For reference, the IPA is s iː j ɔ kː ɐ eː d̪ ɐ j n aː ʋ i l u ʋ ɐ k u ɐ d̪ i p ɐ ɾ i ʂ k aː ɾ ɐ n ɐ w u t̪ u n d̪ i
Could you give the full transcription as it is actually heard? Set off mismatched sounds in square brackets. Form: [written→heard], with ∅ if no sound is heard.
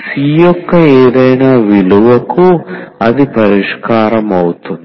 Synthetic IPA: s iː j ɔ kː ɐ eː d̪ ɐ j n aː ʋ i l u ʋ ɐ k u ɐ d̪ i p ɐ ɾ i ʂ k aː ɾ ɐ [n→m] ɐ w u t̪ u n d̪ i